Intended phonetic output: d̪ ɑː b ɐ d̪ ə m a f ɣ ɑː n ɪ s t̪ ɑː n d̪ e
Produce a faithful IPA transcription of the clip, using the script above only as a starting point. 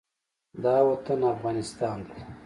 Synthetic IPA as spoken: d̪ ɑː w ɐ t̪ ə n a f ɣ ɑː n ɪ s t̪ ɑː n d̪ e